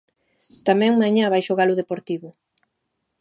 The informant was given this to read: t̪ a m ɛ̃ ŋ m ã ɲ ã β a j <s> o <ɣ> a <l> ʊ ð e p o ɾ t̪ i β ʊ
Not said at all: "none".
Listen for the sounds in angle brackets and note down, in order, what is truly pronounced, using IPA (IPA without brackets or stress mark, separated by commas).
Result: ʃ, ɣ, l